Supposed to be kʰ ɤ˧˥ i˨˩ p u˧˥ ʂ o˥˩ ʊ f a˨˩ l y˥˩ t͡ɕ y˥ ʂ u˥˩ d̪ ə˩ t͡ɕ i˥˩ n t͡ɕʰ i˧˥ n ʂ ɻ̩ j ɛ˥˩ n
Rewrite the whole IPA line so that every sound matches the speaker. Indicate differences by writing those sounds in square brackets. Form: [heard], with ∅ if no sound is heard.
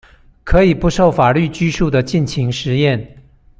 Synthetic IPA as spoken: kʰ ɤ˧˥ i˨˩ p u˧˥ ʂ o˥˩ ʊ f a˨˩ l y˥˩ t͡ɕ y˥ ʂ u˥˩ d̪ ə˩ t͡ɕ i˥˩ n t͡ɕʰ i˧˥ [ŋ] ʂ ɻ̩ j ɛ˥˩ n